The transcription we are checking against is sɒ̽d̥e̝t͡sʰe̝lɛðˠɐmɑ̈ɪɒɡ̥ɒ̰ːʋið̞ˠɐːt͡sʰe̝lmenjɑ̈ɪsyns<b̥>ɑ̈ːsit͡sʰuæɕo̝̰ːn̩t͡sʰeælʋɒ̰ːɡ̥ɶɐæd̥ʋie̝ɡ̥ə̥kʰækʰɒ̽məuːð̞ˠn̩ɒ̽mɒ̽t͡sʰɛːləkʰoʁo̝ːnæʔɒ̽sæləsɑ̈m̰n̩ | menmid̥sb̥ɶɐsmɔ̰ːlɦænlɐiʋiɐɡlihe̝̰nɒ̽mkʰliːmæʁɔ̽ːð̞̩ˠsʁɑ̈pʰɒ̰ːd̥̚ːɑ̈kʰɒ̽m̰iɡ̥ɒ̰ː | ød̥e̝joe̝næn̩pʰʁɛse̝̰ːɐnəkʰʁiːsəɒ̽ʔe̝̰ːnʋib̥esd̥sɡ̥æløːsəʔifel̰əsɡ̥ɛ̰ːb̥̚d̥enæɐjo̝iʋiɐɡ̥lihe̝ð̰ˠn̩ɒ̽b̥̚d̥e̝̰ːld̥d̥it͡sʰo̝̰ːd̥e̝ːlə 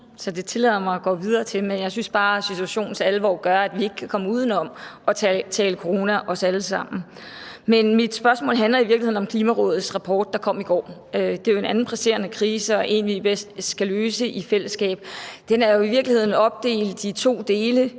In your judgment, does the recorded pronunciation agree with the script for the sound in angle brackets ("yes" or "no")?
yes